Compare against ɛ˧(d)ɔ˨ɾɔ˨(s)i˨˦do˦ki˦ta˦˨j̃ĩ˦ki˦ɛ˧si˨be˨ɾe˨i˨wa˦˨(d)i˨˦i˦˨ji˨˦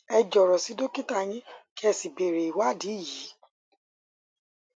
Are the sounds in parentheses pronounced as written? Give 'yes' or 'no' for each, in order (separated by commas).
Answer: no, yes, yes